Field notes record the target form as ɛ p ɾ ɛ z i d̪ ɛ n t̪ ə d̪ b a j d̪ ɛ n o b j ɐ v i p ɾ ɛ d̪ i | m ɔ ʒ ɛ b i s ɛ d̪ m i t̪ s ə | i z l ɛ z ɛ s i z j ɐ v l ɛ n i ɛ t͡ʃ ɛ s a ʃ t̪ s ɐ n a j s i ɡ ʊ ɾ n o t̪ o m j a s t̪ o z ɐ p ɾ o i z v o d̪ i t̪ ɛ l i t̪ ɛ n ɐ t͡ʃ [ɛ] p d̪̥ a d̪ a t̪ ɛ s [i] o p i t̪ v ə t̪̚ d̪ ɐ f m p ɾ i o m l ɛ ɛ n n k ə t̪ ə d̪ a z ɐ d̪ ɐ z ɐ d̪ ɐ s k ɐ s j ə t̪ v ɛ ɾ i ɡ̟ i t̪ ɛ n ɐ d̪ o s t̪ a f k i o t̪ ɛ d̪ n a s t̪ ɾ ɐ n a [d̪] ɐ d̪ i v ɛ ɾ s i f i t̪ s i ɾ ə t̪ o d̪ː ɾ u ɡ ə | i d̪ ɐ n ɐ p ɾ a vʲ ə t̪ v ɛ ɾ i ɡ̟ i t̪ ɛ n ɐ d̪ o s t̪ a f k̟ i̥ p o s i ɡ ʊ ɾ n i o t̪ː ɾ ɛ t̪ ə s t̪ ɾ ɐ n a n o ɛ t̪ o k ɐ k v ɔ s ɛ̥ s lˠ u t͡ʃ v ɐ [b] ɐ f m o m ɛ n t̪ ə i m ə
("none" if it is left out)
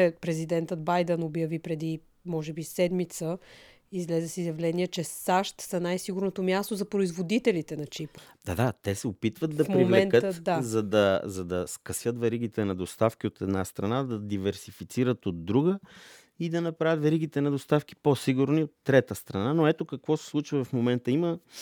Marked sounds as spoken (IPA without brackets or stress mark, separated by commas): i, ɛ, d̪, v